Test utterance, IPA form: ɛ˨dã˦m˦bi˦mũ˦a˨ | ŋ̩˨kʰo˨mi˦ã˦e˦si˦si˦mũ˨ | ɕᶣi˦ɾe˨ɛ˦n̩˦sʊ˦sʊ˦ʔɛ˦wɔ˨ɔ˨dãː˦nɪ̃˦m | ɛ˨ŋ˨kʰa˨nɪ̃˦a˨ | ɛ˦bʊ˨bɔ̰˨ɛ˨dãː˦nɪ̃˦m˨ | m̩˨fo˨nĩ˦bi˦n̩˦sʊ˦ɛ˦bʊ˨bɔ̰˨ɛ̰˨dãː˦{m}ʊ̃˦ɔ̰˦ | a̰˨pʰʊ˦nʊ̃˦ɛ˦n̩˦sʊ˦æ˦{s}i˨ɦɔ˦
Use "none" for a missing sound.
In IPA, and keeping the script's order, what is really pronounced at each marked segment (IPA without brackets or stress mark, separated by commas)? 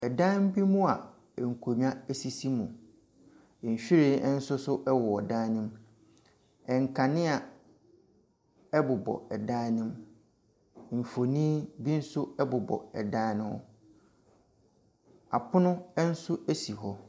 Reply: n, s